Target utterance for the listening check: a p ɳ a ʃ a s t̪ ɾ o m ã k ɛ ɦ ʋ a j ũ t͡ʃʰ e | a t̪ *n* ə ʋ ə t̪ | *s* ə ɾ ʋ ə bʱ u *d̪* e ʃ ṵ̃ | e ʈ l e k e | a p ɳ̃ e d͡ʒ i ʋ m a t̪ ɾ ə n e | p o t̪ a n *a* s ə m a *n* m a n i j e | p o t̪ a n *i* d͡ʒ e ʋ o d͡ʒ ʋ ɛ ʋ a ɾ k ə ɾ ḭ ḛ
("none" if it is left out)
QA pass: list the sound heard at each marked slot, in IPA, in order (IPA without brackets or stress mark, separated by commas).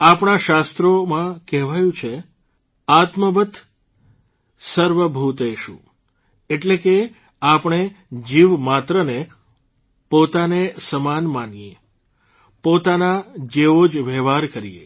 m, s, t̪, e, n, a